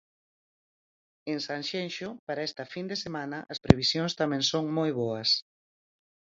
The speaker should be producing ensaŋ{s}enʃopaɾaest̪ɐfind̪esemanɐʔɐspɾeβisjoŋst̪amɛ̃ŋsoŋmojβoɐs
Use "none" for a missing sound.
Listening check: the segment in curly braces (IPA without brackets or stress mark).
ʃ